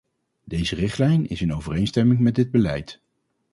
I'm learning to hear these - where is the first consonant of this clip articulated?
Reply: tongue tip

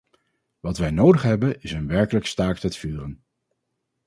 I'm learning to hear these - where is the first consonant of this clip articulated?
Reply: lips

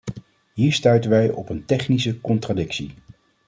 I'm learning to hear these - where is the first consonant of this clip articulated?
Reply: throat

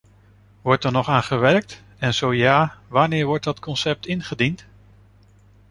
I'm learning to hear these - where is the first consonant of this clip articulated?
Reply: lips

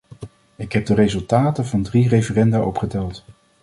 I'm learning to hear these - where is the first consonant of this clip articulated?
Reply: velum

